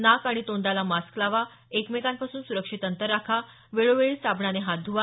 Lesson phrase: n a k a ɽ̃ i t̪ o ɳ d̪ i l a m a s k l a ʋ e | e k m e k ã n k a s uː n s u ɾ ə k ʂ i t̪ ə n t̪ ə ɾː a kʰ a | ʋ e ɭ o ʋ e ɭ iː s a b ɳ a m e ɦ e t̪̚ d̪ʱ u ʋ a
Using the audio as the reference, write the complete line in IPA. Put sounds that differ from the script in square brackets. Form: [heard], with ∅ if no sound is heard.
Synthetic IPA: n a k a ɽ̃ i t̪ o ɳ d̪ [a] l a m a s k l a ʋ [a] | e k m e k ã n [p] a s uː n s u ɾ ə k ʂ i t̪ ə n t̪ ə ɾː a kʰ a | ʋ e ɭ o ʋ e ɭ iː s a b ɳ a [n] e ɦ [a] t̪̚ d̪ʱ u ʋ a